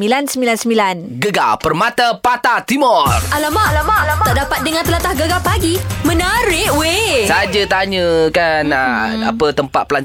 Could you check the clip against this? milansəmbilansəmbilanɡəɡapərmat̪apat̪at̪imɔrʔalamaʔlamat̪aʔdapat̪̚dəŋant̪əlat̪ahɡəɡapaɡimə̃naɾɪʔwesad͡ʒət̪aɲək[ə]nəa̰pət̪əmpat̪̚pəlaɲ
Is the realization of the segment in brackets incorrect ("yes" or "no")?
yes